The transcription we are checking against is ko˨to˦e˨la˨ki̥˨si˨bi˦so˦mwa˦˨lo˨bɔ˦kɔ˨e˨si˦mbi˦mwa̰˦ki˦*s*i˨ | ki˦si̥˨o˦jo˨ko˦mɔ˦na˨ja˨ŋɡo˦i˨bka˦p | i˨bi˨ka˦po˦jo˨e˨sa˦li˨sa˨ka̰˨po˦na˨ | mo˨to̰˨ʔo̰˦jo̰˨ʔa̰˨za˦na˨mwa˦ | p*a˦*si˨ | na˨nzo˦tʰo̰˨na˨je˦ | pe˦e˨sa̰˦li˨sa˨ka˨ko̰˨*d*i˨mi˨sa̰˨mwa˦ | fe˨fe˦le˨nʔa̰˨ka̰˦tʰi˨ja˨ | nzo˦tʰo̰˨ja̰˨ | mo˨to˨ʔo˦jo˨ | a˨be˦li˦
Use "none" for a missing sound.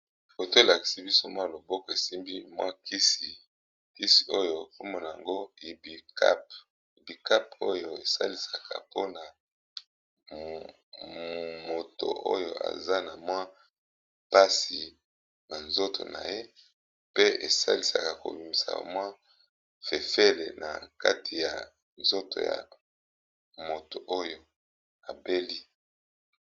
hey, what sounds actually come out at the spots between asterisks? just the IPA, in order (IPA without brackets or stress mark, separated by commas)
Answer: s, a˦, b